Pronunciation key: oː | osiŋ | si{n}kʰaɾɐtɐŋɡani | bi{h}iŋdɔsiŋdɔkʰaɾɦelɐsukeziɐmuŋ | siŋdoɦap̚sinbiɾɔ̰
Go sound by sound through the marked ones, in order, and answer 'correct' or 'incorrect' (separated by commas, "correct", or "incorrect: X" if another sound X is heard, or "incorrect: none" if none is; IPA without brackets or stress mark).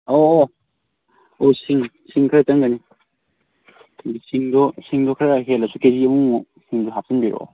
incorrect: ŋ, incorrect: s